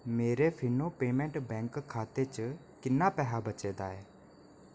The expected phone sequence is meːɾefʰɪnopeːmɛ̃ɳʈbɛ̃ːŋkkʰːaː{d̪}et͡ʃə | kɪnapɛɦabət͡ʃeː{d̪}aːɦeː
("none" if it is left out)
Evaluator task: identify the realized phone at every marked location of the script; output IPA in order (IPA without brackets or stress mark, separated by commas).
t̪, d̪